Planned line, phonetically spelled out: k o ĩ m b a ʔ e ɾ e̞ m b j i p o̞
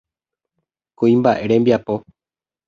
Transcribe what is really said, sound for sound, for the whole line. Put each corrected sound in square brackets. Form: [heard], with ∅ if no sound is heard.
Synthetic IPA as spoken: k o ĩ m b a ʔ e ɾ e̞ m b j [a] p o̞